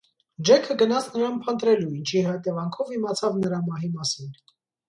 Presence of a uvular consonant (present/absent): absent